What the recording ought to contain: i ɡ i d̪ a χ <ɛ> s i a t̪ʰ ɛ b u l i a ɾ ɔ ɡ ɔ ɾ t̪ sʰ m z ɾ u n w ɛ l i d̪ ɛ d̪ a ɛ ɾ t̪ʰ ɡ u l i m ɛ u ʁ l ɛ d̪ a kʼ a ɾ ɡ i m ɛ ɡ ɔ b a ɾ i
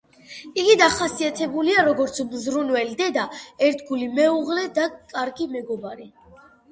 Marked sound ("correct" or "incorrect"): incorrect